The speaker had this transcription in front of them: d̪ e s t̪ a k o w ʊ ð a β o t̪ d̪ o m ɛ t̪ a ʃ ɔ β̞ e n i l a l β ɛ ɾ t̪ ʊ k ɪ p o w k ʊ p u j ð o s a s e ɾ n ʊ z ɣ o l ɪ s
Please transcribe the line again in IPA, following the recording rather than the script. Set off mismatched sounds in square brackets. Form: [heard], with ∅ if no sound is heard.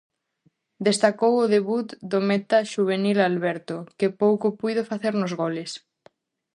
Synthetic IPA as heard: d̪ e s t̪ a k o w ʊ ð [e] β [u] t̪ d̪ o m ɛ t̪ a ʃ [u] β̞ e n i l a l β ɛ ɾ t̪ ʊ k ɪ p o w k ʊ p u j ð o [f] a [θ] e ɾ n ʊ z ɣ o l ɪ s